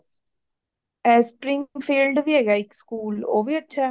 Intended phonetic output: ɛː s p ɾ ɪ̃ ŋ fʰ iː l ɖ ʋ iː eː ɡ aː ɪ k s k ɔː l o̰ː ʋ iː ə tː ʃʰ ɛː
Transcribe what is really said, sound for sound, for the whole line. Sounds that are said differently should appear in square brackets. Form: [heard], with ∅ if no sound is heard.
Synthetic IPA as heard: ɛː s p ɾ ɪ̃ ŋ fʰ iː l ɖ ʋ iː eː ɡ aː ɪ k s k [uː] l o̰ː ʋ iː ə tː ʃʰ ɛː